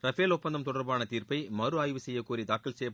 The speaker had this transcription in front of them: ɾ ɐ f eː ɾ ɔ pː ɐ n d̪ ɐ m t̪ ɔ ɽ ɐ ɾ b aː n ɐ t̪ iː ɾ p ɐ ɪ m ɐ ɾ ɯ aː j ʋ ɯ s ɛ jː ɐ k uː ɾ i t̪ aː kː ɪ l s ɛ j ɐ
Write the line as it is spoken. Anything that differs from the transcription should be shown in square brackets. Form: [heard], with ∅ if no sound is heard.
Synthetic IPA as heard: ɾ ɐ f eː [l] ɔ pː ɐ n d̪ ɐ m t̪ ɔ ɽ ɐ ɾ b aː n ɐ t̪ iː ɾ p ɐ ɪ m ɐ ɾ ɯ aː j ʋ ɯ s ɛ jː ɐ k uː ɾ i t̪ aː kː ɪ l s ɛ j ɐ